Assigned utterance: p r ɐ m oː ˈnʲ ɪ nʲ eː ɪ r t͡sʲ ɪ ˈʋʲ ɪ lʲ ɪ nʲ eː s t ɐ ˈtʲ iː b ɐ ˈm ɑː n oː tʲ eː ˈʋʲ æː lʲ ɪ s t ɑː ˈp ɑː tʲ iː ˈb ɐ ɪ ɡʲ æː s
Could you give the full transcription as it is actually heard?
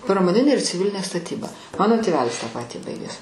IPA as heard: p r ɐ m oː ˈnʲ ɪ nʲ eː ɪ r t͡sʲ ɪ ˈʋʲ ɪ lʲ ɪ nʲ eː s t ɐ ˈtʲ iː b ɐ ˈm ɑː n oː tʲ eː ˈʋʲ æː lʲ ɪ s t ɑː ˈp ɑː tʲ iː ˈb ɐ ɪ ɡʲ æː s